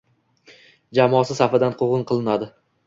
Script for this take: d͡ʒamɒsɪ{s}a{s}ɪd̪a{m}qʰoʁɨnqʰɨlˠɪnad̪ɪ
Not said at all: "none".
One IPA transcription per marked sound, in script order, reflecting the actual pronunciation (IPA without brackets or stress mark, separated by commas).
s, f, n